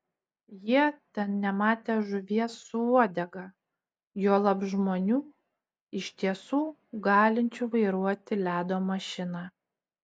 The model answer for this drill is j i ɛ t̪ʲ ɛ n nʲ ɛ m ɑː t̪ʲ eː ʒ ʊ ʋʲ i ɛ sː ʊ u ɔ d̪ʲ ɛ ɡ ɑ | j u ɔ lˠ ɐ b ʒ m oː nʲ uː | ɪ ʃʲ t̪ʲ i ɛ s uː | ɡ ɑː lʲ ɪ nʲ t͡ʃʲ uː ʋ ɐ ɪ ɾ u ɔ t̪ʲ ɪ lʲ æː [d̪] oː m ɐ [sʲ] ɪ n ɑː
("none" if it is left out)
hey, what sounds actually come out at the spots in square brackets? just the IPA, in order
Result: d̪, ʃʲ

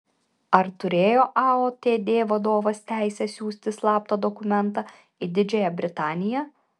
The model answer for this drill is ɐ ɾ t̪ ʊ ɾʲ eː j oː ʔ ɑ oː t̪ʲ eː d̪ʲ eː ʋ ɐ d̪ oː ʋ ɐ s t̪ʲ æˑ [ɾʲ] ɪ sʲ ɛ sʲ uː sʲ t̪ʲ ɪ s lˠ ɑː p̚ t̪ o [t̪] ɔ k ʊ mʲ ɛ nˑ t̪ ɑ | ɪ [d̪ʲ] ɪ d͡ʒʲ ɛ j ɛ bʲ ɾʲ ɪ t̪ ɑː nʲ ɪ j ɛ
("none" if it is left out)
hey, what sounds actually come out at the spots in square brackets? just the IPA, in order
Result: none, d̪, d̪ʲ

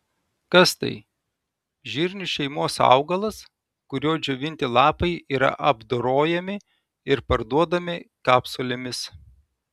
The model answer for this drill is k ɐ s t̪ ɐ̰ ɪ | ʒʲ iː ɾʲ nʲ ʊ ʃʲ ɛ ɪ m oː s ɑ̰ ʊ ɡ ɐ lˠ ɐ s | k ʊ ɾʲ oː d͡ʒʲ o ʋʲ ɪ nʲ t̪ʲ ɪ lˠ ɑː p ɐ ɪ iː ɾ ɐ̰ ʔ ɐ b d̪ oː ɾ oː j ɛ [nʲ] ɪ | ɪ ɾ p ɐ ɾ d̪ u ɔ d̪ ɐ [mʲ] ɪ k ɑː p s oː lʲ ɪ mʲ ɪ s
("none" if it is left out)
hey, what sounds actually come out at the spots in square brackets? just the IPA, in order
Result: mʲ, mʲ

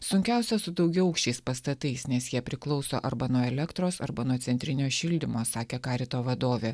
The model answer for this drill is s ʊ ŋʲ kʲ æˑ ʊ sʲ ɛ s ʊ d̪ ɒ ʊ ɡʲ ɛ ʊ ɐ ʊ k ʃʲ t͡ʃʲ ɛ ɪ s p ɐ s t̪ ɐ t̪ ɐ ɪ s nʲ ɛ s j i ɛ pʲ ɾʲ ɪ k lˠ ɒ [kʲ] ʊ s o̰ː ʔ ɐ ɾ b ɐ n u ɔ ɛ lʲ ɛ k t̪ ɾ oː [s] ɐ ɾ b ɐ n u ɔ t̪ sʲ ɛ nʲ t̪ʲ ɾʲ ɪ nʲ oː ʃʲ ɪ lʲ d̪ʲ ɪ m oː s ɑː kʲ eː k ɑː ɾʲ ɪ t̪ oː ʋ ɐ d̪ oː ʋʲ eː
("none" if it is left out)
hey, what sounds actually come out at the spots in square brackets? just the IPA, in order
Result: none, s

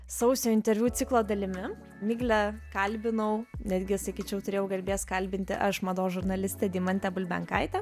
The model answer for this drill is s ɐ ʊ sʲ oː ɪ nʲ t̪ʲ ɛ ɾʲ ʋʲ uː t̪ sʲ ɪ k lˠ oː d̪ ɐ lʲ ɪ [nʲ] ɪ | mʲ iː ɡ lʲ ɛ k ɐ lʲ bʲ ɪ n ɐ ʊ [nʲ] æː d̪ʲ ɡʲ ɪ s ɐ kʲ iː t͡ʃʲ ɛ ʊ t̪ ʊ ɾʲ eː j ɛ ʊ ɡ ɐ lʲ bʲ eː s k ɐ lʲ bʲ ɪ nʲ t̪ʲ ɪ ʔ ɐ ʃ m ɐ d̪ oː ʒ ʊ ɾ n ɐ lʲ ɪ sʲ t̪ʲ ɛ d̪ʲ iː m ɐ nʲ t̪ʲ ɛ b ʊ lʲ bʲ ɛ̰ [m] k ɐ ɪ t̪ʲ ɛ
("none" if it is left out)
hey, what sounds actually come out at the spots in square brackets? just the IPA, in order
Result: mʲ, nʲ, ŋ

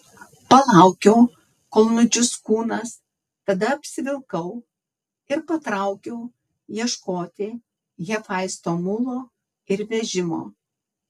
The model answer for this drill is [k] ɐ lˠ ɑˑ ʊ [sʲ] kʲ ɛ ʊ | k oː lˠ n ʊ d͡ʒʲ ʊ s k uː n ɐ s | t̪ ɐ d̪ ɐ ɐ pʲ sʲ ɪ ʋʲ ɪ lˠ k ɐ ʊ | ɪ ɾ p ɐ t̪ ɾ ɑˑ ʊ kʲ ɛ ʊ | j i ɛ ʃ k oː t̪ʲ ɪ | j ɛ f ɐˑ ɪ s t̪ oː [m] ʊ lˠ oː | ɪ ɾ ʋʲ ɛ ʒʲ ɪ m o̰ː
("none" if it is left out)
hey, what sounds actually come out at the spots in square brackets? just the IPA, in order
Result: p, none, m

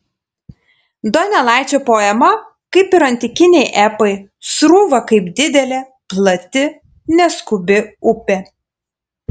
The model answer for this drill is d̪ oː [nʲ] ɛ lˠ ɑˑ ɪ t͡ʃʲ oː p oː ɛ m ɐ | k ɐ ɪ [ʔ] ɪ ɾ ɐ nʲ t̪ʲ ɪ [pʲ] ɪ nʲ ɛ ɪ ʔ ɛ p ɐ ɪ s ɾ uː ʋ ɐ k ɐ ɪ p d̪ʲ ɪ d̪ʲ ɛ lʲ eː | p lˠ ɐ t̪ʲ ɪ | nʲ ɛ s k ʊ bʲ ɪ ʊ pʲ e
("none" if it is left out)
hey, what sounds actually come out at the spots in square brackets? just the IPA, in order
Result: nʲ, p, kʲ

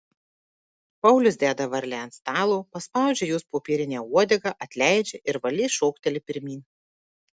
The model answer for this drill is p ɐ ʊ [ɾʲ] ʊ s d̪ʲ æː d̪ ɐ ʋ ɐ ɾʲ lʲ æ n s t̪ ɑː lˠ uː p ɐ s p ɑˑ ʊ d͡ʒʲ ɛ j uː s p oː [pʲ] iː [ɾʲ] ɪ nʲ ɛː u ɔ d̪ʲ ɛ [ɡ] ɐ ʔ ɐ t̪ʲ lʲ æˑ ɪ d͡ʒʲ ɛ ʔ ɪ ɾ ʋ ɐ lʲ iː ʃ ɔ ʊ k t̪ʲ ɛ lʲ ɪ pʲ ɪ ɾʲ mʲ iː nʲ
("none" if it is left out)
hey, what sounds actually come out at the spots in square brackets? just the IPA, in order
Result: lʲ, pʲ, ɾʲ, ɡ

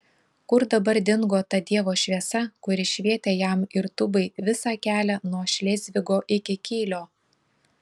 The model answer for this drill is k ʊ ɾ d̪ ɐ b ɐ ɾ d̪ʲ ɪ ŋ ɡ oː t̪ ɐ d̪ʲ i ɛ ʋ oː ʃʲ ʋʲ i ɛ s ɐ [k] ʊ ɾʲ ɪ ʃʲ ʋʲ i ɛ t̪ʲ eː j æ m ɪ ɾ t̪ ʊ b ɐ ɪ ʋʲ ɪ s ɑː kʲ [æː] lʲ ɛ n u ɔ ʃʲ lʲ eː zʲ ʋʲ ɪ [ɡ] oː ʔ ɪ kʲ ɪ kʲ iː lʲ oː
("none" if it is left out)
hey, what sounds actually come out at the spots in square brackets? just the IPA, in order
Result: k, æː, ɡ

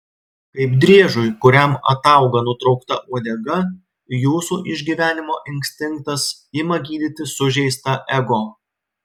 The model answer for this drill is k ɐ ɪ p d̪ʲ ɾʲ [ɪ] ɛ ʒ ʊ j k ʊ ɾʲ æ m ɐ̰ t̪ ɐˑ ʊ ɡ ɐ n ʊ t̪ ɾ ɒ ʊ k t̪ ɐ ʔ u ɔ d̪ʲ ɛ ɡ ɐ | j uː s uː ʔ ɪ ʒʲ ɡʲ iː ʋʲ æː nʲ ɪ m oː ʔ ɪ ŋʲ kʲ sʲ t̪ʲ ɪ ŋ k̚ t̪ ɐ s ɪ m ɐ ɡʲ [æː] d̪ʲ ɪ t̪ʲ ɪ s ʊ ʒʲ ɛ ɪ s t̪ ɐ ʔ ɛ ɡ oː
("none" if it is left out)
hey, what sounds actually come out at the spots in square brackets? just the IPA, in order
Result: i, iː

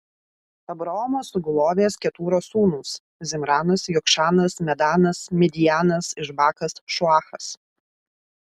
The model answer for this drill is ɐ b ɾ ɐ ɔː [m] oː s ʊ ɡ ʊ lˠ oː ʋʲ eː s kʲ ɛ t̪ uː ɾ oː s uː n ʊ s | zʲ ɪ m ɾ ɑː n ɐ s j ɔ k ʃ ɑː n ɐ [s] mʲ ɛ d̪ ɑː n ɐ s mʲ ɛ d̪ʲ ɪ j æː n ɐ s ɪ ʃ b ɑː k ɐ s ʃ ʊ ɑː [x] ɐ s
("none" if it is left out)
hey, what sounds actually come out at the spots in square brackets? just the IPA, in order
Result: m, s, x

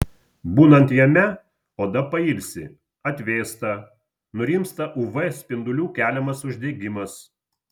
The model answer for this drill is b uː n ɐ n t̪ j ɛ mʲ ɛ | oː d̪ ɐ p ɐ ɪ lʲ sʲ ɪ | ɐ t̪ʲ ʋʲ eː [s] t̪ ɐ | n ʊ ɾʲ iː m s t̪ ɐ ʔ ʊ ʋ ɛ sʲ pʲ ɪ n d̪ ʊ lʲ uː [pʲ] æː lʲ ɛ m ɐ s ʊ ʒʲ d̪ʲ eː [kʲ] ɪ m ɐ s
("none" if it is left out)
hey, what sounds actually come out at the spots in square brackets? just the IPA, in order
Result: s, kʲ, ɡʲ

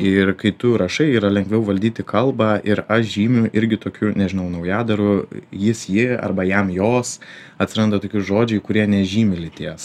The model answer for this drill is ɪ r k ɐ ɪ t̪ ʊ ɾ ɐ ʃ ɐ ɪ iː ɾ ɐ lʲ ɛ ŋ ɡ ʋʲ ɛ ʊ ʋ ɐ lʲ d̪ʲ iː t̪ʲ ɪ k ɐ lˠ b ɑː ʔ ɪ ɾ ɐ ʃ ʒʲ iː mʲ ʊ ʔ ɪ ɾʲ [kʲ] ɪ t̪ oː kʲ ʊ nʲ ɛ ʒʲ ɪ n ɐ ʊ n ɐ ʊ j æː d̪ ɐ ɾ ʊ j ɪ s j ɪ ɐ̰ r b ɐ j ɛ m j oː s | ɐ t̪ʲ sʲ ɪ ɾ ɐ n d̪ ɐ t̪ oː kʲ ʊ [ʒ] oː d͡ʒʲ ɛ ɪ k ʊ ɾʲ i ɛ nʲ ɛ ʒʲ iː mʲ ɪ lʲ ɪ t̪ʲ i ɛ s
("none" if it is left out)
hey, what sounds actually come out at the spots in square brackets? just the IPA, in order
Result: ɡʲ, ʒ

